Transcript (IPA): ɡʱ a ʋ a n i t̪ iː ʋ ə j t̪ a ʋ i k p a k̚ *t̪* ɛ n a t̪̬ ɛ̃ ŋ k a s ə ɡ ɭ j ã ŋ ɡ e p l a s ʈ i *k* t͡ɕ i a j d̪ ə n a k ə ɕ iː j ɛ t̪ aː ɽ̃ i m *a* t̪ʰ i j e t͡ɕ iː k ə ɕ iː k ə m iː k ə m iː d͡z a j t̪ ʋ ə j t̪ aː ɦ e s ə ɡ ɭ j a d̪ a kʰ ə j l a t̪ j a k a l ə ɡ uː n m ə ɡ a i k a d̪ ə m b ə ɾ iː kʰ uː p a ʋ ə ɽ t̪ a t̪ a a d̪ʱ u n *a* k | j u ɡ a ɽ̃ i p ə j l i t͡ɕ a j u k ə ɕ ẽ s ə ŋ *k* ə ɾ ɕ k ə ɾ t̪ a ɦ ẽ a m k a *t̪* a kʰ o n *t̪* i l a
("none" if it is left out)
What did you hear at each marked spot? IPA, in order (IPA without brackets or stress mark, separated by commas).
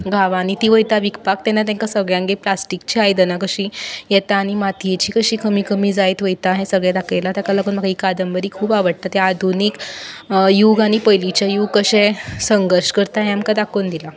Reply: t̪, k, a, i, ɡ, d̪, d̪